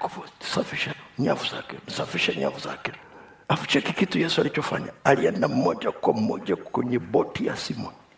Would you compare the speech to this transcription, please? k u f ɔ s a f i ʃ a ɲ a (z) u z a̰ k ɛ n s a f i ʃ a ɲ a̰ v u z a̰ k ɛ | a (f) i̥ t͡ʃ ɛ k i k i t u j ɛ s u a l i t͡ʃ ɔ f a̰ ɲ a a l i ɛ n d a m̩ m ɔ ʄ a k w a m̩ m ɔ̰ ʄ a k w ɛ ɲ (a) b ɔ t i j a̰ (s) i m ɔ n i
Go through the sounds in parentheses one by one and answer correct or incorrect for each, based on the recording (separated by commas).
incorrect, correct, incorrect, correct